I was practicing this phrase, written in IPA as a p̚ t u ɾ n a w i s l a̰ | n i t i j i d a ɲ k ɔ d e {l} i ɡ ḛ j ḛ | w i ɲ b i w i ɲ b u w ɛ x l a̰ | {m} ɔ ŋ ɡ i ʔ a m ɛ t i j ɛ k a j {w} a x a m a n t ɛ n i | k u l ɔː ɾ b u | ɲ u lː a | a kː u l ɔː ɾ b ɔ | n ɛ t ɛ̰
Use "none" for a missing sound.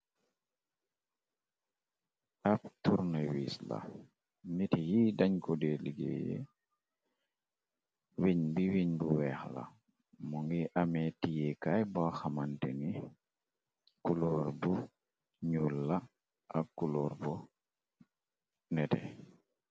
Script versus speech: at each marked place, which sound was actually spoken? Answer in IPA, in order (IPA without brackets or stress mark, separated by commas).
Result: l, m, b